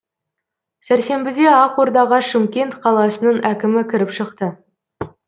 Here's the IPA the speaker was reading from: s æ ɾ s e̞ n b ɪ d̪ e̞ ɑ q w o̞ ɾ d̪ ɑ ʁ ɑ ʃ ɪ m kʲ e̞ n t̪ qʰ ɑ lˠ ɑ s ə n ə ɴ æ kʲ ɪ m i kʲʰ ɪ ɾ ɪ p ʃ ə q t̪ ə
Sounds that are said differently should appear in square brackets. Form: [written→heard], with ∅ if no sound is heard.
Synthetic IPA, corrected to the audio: s æ ɾ s e̞ [n→m] b ɪ d̪ e̞ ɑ q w o̞ ɾ d̪ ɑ ʁ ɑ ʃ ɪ m kʲ e̞ n t̪ qʰ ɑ lˠ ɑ s ə n ə ɴ æ kʲ ɪ m [i→ɪ] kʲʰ ɪ ɾ ɪ p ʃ ə q t̪ ə

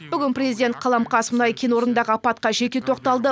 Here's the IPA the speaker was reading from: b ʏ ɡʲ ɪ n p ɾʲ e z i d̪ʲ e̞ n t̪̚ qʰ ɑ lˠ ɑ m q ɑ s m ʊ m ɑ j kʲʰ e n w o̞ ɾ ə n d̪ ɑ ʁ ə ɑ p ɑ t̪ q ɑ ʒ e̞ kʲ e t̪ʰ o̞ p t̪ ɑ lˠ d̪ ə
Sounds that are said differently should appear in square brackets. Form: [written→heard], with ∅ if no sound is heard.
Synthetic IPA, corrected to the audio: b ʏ ɡʲ ɪ n p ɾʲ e z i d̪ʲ e̞ n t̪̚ qʰ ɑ lˠ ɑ m q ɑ s m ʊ [m→n] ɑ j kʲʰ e n w o̞ ɾ ə n d̪ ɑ ʁ ə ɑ p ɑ t̪ q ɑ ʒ e̞ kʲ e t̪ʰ o̞ [p→q] t̪ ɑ lˠ d̪ ə

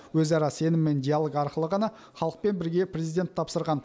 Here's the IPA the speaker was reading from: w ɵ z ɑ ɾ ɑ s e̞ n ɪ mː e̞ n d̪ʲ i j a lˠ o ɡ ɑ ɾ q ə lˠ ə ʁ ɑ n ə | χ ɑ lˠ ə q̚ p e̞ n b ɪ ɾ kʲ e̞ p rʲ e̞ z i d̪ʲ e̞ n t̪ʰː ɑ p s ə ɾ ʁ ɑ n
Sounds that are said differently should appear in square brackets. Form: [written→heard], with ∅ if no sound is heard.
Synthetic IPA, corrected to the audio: w ɵ z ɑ ɾ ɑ s e̞ n ɪ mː e̞ n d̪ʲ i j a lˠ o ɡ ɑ ɾ q ə lˠ ə ʁ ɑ n [ə→ɑ] | χ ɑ lˠ ə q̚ p e̞ n b ɪ ɾ [kʲ→ɡʲ] e̞ p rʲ e̞ z i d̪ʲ e̞ n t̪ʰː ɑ p s ə ɾ ʁ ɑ n

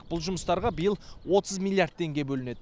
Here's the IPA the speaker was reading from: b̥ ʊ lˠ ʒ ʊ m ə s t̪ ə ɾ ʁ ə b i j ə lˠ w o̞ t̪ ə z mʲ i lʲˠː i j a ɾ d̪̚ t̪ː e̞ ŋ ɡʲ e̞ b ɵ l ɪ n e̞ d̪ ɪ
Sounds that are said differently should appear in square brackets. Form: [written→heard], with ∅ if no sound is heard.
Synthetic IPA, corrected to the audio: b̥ ʊ lˠ ʒ ʊ m ə s t̪ [ə→ɑ] ɾ ʁ [ə→ɑ] b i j ə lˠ w o̞ t̪ ə z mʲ i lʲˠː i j a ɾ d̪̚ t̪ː e̞ ŋ ɡʲ e̞ b ɵ l ɪ n e̞ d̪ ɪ

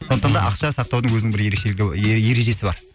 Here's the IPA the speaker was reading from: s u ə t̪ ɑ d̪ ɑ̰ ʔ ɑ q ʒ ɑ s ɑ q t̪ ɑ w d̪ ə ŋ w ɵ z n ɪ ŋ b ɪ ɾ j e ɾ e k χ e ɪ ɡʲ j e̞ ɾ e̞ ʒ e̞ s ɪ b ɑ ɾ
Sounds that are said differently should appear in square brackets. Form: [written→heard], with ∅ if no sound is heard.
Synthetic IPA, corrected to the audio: s [u→o] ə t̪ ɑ d̪ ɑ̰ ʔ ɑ q [ʒ→ʃ] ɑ s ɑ q t̪ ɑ w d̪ ə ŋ w ɵ z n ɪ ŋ b ɪ ɾ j e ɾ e k [χ→ʃ] e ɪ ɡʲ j e̞ ɾ e̞ ʒ e̞ s ɪ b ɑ ɾ

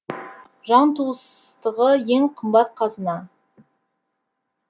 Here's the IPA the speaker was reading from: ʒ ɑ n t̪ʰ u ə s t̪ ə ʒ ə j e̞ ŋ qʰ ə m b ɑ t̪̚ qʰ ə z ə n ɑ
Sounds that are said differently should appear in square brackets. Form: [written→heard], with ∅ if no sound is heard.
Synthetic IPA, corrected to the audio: ʒ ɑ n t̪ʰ u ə s t̪ ə [ʒ→ʁ] ə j e̞ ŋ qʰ ə m b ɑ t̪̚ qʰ [ə→ɑ] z ə n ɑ

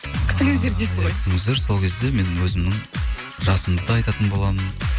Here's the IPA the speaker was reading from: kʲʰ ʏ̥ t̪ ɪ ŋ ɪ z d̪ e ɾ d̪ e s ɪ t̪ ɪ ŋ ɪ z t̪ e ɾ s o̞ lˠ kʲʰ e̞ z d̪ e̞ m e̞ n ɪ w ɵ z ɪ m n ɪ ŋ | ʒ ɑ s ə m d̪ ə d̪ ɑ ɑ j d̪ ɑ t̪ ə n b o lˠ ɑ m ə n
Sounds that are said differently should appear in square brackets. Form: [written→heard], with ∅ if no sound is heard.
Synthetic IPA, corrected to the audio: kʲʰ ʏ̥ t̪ ɪ ŋ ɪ z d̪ e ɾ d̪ e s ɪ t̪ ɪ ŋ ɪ z [t̪→d̪] e ɾ s o̞ lˠ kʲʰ e̞ z d̪ e̞ m e̞ n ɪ w ɵ z ɪ m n ɪ ŋ | ʒ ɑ s ə m d̪ ə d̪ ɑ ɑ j [d̪→t̪] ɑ t̪ ə n b o lˠ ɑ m ə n

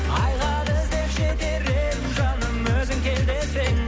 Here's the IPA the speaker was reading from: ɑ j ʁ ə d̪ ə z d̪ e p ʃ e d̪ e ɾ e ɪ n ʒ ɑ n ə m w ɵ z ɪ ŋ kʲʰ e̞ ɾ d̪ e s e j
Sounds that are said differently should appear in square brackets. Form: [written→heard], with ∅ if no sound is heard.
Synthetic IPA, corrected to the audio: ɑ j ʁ [ə→ɑ] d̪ ə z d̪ e p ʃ e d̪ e ɾ e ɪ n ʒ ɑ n ə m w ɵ z ɪ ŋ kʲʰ e̞ [ɾ→l] d̪ e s e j

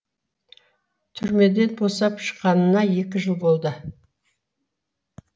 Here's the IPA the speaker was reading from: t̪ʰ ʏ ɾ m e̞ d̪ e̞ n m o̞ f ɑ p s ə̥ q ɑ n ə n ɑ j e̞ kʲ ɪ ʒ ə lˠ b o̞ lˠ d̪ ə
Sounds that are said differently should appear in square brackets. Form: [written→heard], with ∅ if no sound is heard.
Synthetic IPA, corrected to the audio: t̪ʰ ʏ ɾ m e̞ d̪ e̞ n [m→b] o̞ [f→s] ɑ p [s→ʃ] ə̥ q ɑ n ə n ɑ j e̞ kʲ ɪ ʒ ə lˠ b o̞ lˠ d̪ ə

